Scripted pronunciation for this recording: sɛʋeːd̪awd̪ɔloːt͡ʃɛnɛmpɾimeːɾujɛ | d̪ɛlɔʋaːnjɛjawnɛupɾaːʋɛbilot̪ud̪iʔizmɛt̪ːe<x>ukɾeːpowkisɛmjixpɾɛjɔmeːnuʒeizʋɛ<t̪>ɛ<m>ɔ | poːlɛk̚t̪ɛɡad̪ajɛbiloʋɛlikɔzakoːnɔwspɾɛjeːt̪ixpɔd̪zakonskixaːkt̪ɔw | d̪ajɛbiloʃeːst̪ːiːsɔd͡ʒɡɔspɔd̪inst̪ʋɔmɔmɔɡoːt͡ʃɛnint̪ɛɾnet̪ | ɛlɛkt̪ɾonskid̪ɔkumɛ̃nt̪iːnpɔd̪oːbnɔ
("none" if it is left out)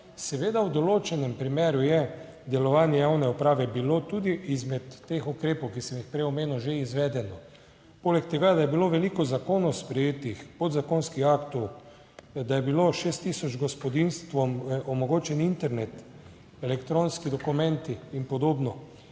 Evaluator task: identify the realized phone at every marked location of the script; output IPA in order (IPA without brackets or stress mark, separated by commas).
x, d̪, n